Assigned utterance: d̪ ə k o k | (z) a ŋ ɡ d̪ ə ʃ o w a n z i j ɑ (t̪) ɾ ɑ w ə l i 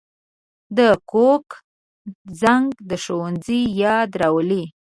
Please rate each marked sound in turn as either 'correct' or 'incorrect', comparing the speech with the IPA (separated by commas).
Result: correct, incorrect